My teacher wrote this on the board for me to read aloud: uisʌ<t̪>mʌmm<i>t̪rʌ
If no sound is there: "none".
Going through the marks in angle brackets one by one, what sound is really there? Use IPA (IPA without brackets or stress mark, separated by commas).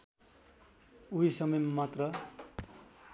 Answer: none, a